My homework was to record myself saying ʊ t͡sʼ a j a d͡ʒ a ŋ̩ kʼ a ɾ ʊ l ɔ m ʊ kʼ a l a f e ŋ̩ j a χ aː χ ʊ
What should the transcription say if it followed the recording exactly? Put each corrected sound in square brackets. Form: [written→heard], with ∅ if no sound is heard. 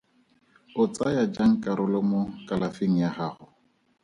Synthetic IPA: ʊ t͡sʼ a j a d͡ʒ a ŋ̩ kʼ a ɾ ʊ l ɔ m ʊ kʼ a l a f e ŋ̩ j a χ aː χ ʊ